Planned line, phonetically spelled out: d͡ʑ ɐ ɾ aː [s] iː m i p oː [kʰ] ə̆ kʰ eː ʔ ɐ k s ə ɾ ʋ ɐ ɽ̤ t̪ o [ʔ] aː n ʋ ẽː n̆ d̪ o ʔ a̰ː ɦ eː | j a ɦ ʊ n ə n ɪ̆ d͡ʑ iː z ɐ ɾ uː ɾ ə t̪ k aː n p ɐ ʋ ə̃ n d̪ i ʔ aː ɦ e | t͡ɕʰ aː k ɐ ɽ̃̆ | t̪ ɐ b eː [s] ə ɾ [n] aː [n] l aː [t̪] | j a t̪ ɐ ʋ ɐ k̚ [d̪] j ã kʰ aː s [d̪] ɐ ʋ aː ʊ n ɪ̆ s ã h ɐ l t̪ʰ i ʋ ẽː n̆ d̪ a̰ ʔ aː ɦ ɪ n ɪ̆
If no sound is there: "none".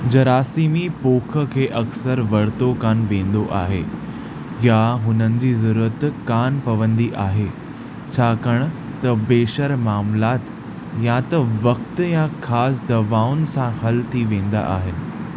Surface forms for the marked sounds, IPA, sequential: s, kʰ, k, ʃ, m, m, t̪, t̪, d̪

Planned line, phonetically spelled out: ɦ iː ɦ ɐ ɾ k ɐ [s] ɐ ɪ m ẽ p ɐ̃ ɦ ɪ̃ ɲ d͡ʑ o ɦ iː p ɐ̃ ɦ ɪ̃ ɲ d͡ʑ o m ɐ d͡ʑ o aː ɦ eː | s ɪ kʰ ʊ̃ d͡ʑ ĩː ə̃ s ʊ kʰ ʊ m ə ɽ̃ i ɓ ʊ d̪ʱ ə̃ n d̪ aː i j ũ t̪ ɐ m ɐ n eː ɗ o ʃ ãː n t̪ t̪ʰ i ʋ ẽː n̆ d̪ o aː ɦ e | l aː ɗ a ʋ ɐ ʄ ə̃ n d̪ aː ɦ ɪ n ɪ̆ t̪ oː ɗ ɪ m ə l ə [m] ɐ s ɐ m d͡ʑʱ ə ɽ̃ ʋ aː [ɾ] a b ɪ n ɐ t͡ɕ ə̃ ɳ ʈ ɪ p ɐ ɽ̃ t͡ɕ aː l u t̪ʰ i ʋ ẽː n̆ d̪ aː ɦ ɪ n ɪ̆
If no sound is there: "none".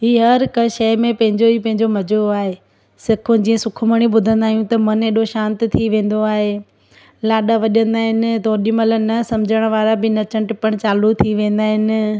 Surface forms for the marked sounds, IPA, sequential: ʃ, n, ɾ

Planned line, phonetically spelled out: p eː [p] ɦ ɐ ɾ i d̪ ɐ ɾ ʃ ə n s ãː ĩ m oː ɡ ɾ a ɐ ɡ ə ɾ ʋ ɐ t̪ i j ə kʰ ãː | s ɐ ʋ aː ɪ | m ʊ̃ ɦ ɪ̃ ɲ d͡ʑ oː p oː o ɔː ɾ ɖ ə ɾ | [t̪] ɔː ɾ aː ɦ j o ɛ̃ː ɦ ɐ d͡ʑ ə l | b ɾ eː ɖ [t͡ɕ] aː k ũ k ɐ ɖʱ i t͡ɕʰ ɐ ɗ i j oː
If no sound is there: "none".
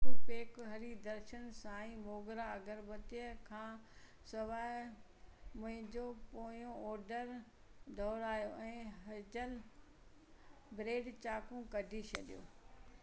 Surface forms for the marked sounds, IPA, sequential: k, d̪, t͡ɕ

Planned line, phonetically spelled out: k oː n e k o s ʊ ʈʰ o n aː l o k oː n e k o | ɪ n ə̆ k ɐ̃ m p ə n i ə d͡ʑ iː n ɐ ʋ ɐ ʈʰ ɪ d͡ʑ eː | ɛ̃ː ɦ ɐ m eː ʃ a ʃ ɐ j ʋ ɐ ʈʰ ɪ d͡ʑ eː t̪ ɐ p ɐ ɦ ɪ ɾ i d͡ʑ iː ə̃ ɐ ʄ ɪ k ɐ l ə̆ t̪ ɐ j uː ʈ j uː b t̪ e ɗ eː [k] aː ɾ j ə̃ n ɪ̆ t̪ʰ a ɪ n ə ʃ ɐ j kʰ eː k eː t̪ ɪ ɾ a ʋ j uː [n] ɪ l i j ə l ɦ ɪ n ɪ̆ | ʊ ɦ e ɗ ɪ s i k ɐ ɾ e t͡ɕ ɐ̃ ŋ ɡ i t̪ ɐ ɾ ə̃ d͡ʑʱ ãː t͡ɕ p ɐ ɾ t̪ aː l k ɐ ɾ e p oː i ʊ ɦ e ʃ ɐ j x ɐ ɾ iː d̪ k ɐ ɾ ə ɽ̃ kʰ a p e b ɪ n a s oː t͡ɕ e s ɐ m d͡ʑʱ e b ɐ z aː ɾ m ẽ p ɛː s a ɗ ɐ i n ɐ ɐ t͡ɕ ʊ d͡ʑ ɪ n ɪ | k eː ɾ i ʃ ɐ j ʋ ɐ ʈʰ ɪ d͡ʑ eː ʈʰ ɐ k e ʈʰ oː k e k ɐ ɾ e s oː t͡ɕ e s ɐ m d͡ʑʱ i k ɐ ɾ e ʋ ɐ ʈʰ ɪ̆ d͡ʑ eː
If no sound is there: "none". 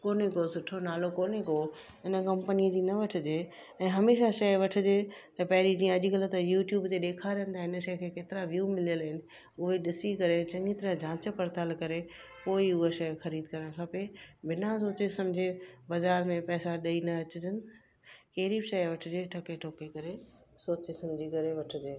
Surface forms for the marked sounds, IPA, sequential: kʰ, m

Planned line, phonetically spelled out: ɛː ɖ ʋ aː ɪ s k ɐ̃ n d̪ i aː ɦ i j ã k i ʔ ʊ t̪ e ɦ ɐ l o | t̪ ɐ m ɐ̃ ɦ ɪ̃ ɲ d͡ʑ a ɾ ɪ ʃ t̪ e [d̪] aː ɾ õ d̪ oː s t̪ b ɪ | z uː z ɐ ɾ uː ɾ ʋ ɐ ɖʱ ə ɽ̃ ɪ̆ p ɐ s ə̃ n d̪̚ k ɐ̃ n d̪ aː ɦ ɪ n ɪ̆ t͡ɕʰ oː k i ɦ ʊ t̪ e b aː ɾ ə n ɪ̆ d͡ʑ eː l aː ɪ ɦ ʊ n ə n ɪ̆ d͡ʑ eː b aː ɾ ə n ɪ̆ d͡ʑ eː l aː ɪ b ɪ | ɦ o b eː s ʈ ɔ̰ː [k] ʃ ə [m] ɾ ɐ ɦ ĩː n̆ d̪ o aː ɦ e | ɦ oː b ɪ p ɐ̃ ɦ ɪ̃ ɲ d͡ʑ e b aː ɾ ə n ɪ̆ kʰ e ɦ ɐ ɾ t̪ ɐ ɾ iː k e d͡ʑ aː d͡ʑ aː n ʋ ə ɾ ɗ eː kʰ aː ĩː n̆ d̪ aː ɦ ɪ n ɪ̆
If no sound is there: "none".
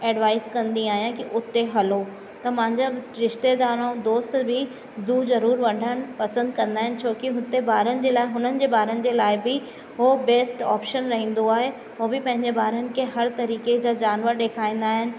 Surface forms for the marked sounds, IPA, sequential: d̪, p, n

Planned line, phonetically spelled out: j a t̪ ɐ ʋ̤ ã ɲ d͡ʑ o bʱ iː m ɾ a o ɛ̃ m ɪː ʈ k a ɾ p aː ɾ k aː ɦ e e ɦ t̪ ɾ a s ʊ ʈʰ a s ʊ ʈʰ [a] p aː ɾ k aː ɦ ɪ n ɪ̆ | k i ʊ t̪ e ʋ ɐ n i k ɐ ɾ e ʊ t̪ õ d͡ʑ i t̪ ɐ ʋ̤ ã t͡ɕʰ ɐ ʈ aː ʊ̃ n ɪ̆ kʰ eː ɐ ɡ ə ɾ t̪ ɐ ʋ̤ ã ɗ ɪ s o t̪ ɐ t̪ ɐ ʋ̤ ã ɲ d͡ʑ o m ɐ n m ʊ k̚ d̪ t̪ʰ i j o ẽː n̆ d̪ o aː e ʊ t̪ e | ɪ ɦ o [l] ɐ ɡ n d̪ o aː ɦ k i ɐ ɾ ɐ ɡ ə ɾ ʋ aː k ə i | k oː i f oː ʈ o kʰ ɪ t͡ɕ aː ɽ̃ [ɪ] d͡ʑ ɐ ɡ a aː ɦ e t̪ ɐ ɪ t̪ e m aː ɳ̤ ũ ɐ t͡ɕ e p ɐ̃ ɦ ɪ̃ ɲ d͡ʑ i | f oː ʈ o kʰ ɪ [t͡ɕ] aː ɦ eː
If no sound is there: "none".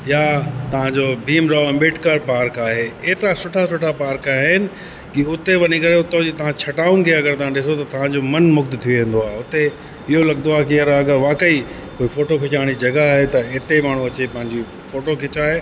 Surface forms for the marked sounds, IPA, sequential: a, l, i, t͡ɕ

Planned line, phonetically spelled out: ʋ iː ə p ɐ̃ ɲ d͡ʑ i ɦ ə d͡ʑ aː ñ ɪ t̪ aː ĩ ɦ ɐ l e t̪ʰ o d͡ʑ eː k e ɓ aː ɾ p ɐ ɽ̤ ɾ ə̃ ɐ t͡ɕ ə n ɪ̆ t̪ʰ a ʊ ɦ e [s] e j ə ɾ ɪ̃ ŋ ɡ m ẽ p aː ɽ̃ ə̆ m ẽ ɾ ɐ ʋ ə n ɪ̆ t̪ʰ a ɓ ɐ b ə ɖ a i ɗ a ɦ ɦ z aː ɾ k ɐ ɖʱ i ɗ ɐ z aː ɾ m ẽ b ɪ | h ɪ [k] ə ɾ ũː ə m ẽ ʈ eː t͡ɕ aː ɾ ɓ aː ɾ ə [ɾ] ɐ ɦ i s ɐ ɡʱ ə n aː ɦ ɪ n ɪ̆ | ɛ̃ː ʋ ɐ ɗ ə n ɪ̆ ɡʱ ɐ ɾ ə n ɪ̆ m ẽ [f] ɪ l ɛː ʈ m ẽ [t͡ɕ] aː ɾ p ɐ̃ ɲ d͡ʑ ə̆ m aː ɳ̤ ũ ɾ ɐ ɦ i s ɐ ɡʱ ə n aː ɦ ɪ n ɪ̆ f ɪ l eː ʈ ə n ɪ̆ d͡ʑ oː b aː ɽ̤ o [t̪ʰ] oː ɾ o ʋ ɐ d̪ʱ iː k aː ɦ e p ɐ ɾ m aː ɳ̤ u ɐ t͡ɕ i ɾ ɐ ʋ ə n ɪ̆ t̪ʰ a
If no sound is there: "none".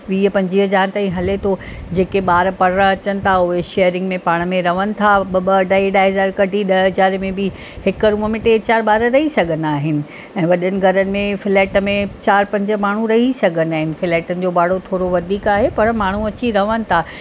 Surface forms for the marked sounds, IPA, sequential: ʃ, k, ɾ, f, t͡ɕ, t̪ʰ

